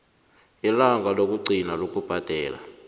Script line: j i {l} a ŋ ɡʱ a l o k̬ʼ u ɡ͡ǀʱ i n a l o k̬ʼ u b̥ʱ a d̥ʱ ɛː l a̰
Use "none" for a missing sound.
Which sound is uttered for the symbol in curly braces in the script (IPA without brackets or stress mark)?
l